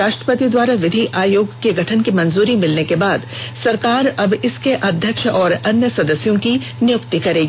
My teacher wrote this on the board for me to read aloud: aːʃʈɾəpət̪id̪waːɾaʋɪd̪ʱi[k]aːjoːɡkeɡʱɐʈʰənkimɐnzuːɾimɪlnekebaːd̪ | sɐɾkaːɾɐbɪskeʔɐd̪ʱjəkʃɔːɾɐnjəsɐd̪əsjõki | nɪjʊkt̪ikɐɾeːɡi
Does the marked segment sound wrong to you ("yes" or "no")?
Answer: yes